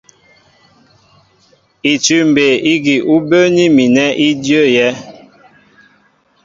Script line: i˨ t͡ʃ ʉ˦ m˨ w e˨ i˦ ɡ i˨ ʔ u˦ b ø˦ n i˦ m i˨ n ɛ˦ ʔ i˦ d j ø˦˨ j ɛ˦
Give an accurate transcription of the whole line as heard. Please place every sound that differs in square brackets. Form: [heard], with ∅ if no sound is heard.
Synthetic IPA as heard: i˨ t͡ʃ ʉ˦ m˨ [b] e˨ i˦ ɡ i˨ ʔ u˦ b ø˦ n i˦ m i˨ n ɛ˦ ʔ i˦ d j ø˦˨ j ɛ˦